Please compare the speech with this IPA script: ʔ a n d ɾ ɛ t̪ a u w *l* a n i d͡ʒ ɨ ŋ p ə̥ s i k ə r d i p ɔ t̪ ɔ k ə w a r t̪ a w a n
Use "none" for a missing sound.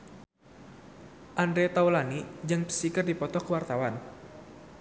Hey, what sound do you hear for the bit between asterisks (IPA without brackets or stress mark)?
l